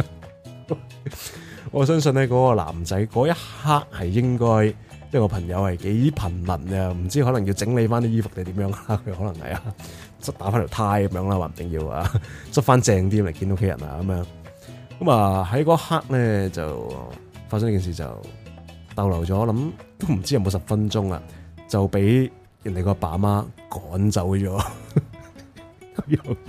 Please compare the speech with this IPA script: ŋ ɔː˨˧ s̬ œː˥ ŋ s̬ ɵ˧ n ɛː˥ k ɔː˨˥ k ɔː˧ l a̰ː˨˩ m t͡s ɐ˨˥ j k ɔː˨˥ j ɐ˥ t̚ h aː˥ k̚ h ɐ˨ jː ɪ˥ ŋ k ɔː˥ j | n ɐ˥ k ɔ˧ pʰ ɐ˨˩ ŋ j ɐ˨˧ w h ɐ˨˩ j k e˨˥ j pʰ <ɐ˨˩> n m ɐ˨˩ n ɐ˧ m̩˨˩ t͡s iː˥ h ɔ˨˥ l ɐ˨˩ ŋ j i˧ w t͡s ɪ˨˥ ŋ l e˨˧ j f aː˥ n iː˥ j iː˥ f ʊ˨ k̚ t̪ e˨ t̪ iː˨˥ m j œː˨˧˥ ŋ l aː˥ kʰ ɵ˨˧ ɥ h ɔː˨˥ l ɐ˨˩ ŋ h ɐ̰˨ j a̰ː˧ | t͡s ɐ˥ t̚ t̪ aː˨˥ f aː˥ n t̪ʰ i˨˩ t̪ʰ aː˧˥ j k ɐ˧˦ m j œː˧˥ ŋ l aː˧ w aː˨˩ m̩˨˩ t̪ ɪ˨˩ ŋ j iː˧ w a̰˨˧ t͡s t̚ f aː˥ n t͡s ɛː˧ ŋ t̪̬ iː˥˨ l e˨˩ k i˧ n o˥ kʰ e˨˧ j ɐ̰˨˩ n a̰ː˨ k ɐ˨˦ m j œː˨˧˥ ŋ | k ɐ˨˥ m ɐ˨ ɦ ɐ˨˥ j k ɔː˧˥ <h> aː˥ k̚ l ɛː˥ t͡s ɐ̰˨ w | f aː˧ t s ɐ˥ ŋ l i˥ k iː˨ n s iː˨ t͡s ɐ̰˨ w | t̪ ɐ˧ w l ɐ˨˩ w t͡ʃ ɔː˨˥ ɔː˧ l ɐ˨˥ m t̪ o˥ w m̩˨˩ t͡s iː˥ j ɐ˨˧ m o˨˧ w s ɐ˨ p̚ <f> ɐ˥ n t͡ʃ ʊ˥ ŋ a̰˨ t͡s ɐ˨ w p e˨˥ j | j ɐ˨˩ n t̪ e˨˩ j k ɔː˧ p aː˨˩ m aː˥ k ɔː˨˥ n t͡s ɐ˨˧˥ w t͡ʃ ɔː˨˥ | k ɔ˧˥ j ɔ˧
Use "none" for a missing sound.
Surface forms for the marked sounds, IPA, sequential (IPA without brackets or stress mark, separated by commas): ɐ˨˩, h, f